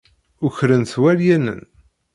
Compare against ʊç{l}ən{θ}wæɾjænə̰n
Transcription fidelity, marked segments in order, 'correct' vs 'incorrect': incorrect, correct

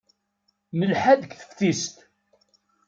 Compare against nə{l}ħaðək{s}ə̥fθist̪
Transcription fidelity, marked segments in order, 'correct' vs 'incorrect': correct, incorrect

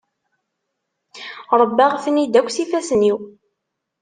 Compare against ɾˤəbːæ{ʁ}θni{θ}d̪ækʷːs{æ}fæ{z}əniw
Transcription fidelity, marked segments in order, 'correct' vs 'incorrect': correct, incorrect, incorrect, incorrect

